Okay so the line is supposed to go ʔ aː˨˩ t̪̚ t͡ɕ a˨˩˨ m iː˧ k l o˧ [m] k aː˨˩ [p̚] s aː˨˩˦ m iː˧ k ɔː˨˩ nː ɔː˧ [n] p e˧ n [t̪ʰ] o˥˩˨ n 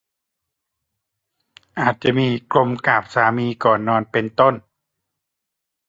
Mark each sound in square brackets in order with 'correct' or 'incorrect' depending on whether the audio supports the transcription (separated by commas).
correct, correct, correct, incorrect